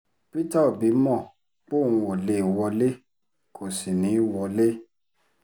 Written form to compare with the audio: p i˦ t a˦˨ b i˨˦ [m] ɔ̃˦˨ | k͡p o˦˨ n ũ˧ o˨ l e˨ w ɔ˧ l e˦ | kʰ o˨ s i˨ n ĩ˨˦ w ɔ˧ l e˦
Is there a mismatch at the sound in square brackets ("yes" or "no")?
no